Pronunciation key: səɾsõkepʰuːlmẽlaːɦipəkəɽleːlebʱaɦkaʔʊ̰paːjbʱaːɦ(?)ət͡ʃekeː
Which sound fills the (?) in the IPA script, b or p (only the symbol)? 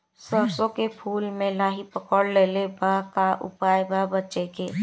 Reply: b